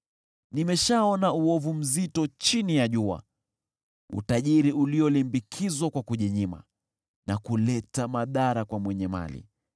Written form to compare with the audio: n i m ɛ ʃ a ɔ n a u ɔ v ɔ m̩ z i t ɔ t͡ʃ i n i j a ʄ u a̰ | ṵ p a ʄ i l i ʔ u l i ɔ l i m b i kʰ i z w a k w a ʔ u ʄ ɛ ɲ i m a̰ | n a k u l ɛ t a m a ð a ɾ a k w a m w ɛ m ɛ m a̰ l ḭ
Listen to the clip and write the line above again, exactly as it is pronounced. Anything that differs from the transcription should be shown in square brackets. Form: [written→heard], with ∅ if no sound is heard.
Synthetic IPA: n i m ɛ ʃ a ɔ n a u ɔ v [ɔ→u] m̩ z i t ɔ t͡ʃ i n i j a ʄ u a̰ | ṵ [p→t] a ʄ i [l→ɾ] i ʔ u l i ɔ l i m b i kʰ i z w a k w a [ʔ→k] u ʄ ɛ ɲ i m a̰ | n a k u l ɛ t a m a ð a ɾ a k w a m w ɛ [m→ɲ] ɛ m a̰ l ḭ